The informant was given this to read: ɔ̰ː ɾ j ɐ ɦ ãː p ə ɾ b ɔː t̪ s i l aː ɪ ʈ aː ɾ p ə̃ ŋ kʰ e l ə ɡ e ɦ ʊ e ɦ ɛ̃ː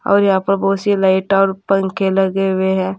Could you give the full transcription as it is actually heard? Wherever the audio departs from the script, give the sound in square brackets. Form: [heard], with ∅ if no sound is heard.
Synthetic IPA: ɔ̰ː ɾ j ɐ ɦ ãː p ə ɾ b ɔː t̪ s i l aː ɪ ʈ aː ɾ p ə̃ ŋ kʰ e l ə ɡ e ɦ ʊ e ɦ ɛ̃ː